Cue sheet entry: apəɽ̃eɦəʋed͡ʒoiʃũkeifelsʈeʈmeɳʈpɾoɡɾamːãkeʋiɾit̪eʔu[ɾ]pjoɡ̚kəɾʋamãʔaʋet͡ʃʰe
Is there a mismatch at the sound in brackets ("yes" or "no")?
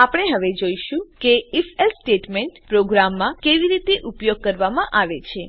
yes